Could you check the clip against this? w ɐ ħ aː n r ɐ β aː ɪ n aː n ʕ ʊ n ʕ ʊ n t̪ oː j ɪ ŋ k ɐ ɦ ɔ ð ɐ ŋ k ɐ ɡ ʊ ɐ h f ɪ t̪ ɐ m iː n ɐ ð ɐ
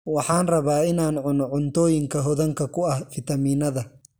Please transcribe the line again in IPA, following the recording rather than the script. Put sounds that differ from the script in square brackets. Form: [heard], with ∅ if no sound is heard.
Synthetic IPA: w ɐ ħ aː n r ɐ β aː ɪ n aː n ʕ ʊ n ʕ ʊ n t̪ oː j ɪ ŋ k ɐ ɦ ɔ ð ɐ ŋ k ɐ [k] ʊ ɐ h f ɪ t̪ ɐ m iː n ɐ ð ɐ